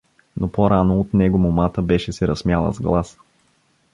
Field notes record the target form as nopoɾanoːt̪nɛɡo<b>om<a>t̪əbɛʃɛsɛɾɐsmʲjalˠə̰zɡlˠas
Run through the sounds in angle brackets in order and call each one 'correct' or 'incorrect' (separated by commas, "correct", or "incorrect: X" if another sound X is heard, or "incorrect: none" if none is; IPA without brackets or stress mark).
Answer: incorrect: m, correct